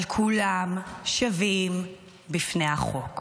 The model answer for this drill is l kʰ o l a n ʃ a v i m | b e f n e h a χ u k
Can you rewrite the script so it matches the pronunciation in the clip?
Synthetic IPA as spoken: l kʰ u l a m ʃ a v i m | b i f n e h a χ o k